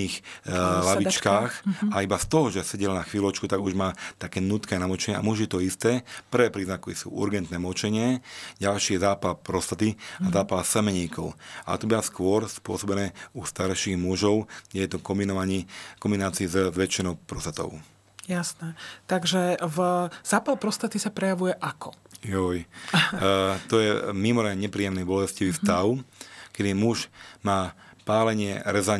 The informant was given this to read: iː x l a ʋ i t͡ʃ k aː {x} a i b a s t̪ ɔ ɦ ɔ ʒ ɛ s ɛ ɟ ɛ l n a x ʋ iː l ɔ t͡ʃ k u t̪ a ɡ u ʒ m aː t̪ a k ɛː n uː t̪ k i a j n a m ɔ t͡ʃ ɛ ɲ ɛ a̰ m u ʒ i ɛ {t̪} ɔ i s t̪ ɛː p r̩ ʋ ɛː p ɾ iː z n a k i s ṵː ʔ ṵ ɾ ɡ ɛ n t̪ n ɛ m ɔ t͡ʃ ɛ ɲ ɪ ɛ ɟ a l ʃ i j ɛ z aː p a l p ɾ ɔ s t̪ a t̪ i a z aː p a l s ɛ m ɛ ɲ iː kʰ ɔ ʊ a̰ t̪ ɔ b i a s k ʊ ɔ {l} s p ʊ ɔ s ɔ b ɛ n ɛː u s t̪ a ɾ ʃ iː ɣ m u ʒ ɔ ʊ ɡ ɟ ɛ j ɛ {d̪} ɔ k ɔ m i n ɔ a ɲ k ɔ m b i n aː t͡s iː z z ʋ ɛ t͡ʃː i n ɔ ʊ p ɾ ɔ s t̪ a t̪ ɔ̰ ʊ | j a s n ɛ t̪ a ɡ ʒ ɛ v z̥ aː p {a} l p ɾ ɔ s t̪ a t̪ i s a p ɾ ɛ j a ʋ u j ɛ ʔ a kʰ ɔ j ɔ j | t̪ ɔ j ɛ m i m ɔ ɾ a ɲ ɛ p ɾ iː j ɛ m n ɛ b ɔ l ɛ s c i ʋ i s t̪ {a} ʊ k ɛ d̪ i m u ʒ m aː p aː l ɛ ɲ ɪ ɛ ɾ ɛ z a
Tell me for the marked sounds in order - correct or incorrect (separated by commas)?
correct, correct, incorrect, incorrect, correct, correct